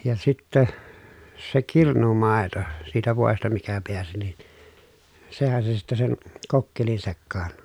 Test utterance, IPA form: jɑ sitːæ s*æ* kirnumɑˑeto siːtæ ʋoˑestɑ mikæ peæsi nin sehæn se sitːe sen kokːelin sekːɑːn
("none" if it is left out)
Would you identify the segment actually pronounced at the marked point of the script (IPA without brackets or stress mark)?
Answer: e